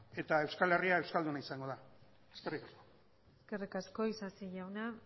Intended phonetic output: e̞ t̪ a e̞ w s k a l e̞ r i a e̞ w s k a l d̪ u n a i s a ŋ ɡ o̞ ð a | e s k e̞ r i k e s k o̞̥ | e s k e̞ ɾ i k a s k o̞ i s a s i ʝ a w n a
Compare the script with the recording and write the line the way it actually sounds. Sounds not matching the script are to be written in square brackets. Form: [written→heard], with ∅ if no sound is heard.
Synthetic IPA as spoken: e̞ t̪ a e̞ w s k a l e̞ r i a e̞ w s k a l d̪ u n a i s a ŋ ɡ o̞ ð a | e s k e̞ r i k [e→a] s k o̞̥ | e s k e̞ [ɾ→r] i k a s k o̞ i s a s i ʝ a w n a